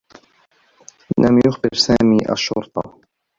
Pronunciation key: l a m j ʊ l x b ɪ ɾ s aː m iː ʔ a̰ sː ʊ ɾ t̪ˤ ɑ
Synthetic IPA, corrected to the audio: l a m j ʊ x b ɪ ɾ s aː m iː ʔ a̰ ʃː ʊ ɾ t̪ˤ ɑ